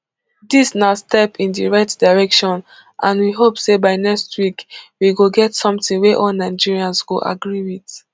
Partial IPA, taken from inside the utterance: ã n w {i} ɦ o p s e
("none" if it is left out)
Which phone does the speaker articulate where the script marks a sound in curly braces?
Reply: i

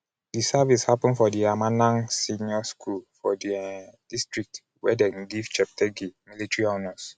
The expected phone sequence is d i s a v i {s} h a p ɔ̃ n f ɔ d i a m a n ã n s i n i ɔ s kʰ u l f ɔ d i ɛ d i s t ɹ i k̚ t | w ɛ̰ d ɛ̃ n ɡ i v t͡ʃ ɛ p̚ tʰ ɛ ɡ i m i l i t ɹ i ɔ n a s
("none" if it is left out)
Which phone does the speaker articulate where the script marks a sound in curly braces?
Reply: s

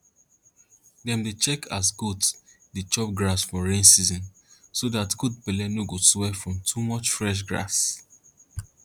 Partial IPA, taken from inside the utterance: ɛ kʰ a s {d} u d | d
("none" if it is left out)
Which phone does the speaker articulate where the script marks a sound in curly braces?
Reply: ɡ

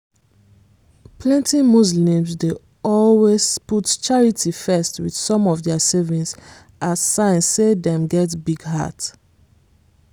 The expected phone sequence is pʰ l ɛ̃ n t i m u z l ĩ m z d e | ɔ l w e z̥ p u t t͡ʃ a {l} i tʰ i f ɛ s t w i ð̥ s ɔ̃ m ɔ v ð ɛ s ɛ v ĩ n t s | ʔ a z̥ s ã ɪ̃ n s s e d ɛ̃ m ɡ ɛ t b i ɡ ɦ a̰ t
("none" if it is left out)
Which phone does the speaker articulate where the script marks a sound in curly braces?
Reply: ɹ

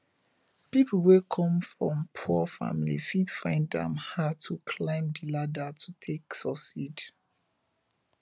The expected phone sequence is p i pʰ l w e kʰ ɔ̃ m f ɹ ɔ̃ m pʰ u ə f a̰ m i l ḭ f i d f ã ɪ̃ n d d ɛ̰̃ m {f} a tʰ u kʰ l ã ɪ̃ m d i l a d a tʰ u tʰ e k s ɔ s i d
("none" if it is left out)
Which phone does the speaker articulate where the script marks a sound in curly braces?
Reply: h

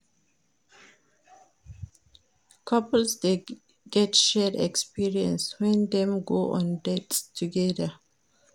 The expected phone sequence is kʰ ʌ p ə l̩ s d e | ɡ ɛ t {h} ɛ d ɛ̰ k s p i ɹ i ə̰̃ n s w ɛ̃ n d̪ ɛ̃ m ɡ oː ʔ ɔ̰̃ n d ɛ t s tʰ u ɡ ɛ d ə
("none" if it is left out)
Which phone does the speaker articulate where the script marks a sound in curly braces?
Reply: ʃ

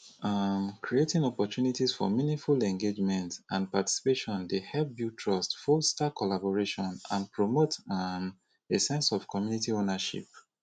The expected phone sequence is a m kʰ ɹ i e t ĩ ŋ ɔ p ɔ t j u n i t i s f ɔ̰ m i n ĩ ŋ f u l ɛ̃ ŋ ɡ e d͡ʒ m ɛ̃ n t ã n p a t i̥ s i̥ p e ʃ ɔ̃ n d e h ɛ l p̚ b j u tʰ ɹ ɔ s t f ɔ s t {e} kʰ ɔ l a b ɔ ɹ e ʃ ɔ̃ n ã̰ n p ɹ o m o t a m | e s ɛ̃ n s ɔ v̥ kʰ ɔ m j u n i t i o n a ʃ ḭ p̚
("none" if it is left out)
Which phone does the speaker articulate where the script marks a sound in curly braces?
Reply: a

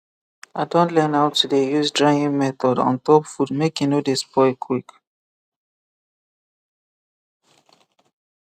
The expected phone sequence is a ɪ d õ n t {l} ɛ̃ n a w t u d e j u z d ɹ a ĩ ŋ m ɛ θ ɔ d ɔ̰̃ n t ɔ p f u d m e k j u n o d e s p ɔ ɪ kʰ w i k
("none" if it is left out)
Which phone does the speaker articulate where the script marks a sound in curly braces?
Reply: l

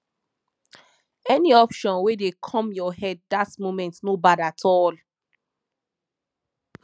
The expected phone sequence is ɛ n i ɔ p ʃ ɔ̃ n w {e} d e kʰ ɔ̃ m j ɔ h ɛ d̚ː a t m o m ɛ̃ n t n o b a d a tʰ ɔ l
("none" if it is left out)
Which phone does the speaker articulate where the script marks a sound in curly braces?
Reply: e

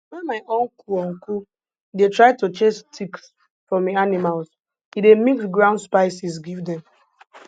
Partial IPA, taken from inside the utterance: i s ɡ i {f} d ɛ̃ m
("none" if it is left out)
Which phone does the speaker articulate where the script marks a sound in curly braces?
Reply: v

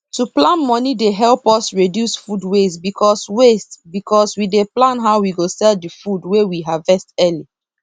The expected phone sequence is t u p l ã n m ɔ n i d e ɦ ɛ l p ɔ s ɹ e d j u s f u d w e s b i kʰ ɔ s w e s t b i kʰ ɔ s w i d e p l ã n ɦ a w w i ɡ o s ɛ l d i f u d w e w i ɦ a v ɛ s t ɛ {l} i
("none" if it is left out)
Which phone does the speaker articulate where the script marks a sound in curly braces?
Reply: l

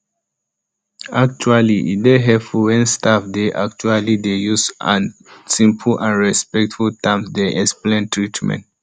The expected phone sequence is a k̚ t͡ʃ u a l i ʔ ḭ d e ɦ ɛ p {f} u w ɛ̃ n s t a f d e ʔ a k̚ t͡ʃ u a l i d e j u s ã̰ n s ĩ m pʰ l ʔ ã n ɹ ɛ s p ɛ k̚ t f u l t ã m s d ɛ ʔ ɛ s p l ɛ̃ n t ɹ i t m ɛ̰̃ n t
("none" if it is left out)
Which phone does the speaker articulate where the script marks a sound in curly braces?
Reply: f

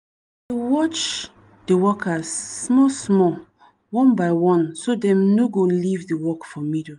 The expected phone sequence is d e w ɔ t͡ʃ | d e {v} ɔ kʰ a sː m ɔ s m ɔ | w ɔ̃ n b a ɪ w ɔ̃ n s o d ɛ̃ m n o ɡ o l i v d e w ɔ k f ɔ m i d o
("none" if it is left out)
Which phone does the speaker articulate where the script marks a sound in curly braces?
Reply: w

